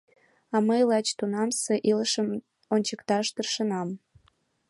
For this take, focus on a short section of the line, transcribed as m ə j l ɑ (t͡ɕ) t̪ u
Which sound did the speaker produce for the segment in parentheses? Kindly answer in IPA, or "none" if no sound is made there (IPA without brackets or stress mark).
t͡ɕ